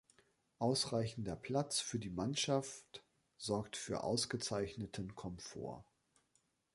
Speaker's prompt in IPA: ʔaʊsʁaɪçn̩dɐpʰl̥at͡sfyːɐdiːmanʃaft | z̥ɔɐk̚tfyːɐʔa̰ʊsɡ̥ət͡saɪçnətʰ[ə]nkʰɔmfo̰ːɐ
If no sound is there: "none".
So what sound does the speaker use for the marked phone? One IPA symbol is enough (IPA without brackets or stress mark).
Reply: ə